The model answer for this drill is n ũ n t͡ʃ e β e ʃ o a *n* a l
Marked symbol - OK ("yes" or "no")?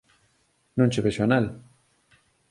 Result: yes